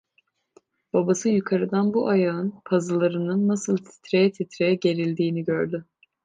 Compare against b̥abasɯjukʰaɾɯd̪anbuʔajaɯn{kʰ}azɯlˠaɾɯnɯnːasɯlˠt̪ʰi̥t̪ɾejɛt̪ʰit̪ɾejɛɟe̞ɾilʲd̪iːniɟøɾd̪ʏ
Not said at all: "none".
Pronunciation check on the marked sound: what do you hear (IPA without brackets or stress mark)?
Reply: pʰ